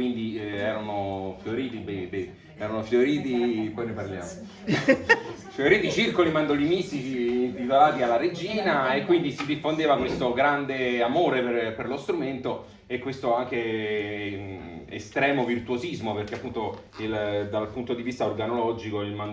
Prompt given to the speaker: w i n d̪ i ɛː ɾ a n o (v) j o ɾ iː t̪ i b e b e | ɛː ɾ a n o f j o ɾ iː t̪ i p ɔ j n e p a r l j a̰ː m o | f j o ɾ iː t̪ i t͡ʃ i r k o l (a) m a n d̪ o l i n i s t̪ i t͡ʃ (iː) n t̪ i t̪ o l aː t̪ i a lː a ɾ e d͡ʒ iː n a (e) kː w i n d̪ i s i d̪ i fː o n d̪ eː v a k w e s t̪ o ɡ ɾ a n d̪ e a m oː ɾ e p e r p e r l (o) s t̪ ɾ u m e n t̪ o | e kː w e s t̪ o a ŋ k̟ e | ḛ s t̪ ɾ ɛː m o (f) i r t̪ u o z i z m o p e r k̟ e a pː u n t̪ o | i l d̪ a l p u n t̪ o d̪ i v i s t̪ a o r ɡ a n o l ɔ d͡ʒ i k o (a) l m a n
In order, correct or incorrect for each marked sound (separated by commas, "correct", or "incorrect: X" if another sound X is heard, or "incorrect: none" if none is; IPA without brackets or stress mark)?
incorrect: f, incorrect: i, correct, correct, correct, incorrect: v, incorrect: i